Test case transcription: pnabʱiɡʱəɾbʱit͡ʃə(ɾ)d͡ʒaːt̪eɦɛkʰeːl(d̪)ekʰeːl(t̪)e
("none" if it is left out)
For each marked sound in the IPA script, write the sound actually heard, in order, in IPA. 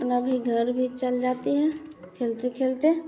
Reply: l, t̪, t̪

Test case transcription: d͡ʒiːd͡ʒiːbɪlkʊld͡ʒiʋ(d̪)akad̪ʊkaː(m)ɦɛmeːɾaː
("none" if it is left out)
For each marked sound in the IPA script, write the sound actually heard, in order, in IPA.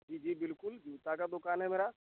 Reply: t̪, n

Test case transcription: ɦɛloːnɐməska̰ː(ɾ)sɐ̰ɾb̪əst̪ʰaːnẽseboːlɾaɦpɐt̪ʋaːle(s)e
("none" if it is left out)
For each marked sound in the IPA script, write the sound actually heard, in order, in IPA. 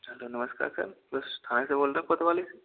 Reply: ɾ, s

